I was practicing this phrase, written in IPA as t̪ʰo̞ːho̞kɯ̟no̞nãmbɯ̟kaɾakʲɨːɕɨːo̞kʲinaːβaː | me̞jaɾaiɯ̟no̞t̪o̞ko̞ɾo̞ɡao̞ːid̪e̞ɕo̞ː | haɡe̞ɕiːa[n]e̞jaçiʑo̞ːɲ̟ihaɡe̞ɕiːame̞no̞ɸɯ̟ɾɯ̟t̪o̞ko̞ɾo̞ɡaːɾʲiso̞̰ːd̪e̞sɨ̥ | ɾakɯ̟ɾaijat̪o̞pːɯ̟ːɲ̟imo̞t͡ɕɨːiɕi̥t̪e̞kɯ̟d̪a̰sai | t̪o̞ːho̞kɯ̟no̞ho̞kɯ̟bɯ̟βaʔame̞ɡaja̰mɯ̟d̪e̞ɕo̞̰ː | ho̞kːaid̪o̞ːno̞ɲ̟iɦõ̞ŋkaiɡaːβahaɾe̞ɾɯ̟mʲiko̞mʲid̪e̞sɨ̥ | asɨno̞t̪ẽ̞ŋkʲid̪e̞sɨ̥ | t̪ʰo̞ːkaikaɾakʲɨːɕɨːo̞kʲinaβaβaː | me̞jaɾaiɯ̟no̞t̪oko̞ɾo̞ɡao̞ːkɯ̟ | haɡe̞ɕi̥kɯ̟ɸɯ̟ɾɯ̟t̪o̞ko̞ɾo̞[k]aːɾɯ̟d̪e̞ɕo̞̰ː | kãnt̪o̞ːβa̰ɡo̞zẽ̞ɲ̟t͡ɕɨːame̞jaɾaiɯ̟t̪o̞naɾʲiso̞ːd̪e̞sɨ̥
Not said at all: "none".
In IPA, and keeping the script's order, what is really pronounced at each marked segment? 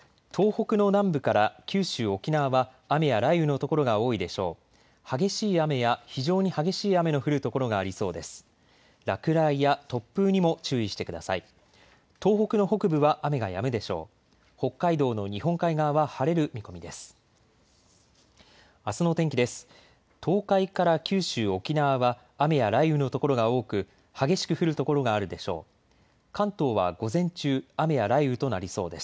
m, ɡ

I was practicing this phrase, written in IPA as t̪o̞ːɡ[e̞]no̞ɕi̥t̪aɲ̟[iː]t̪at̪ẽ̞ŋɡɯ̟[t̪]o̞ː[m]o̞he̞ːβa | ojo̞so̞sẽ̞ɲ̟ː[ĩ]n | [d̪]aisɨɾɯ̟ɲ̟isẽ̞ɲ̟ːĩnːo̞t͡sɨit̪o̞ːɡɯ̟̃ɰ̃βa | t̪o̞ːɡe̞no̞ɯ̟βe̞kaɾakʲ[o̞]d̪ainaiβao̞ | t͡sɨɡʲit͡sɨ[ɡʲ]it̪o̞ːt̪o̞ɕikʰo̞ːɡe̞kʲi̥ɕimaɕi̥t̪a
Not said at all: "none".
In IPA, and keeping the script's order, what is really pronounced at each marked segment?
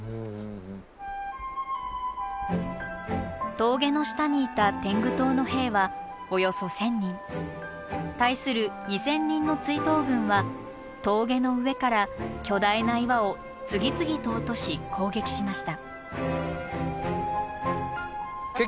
e̞, iː, t̪, n, ĩ, t̪, o̞, ɡʲ

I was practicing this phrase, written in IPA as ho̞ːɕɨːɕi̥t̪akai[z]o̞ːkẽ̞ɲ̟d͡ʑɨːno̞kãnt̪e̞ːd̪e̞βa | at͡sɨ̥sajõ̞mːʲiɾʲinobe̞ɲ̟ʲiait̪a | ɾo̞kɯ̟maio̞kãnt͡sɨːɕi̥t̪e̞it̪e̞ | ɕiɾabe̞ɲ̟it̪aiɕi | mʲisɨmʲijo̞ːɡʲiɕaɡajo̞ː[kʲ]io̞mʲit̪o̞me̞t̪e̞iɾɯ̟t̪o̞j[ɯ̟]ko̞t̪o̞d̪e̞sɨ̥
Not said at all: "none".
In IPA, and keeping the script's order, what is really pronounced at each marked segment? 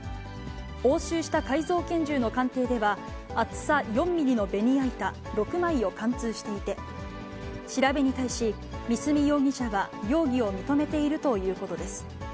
z, ɡʲ, ɯ̟ː

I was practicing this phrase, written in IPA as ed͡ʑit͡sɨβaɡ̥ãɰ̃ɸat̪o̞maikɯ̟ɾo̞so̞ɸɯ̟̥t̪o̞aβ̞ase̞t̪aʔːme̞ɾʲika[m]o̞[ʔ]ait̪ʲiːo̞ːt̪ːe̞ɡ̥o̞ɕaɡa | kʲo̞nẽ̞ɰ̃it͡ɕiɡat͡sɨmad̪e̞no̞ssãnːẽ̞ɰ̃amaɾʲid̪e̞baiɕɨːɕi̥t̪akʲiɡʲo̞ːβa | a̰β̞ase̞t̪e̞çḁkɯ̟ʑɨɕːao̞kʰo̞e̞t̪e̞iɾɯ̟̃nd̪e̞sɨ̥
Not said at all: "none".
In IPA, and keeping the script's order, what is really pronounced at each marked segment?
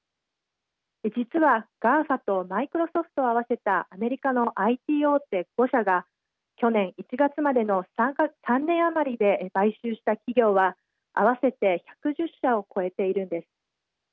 n, ʔ

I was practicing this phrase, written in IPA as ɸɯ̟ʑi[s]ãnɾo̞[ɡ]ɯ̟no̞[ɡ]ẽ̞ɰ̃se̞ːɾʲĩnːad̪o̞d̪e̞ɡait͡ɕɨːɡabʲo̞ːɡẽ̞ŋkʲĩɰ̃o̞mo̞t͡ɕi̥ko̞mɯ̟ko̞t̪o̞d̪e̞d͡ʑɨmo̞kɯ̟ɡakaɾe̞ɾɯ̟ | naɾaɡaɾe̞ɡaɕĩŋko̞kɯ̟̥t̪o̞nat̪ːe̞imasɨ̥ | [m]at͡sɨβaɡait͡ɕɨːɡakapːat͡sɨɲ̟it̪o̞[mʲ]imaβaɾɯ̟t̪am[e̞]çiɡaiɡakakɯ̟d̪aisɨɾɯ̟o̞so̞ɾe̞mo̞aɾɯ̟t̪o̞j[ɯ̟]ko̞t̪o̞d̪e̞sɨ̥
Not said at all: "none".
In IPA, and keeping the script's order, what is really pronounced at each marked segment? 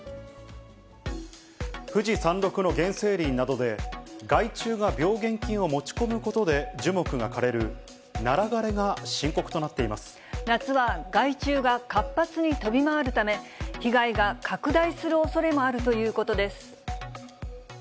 s, k, ɡ, n, bʲ, e̞, ɯ̟ː

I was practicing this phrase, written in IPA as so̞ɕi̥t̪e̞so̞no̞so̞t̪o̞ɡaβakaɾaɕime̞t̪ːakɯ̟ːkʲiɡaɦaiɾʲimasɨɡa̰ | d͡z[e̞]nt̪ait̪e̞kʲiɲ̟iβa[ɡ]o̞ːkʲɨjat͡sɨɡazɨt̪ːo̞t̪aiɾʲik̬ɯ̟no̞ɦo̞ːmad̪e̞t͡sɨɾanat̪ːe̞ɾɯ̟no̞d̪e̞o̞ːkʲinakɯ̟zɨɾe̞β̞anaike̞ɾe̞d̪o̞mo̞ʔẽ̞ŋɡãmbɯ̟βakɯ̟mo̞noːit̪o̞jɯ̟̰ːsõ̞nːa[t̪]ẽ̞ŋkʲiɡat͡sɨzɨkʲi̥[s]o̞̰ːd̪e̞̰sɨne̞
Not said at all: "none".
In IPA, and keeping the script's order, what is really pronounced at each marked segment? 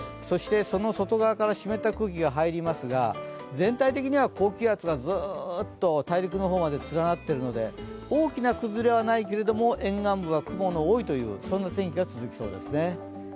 ẽ̞, k, t̪, s

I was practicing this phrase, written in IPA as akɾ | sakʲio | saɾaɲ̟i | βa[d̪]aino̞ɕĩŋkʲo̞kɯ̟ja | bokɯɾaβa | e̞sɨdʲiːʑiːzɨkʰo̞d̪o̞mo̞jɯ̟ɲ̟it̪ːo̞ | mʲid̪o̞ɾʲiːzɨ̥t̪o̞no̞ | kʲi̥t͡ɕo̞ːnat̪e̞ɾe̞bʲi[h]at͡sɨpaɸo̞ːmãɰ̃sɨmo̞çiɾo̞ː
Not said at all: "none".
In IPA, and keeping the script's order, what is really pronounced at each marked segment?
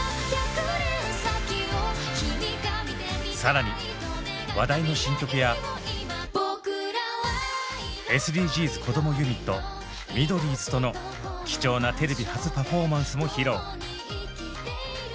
d̪, h

